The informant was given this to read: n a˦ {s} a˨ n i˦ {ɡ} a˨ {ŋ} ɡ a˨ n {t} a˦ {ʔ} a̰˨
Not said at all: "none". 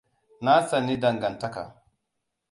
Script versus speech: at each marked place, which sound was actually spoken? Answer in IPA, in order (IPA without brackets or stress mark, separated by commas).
s, d, ŋ, t, k